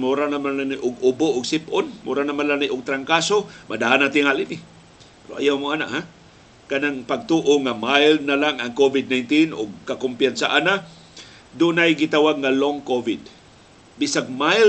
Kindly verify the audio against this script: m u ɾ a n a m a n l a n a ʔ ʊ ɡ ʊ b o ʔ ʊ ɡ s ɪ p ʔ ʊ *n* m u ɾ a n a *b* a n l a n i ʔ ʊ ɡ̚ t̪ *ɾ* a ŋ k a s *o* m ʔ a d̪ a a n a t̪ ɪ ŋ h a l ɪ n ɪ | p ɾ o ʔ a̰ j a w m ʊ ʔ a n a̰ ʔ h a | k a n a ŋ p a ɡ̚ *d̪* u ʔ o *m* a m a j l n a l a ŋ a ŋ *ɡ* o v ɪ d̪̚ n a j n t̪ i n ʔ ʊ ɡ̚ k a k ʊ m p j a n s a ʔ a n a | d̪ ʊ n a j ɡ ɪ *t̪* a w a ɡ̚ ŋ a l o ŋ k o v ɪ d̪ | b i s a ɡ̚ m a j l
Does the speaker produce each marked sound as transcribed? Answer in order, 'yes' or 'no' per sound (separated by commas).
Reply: yes, no, yes, yes, no, no, no, yes